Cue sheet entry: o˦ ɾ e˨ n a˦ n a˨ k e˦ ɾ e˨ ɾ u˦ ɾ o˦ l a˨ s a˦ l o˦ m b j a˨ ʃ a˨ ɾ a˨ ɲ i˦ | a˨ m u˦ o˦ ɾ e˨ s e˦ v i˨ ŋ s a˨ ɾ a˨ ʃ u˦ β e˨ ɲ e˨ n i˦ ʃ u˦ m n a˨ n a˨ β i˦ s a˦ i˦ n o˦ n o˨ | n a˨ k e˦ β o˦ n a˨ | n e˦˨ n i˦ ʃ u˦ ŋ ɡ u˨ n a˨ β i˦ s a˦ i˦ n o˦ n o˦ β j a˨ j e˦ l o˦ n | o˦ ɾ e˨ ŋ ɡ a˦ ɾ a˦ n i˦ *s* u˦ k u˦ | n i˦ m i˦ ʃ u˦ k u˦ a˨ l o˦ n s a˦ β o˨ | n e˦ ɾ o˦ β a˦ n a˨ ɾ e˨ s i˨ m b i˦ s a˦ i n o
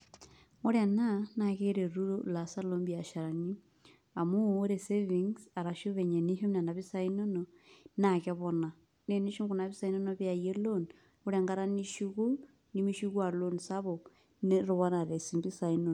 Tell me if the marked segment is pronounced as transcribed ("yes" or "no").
no